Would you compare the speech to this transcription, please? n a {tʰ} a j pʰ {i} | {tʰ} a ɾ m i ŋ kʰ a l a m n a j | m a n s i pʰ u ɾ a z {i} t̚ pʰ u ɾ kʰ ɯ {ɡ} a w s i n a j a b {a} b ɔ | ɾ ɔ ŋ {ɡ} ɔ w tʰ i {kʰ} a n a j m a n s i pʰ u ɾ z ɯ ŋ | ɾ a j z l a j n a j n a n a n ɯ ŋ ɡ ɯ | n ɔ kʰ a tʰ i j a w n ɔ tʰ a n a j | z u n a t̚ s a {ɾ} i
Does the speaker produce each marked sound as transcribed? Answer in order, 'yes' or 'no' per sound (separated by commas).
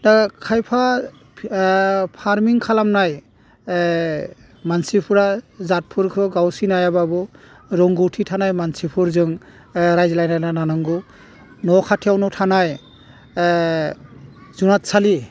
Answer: no, no, no, no, yes, yes, yes, no, no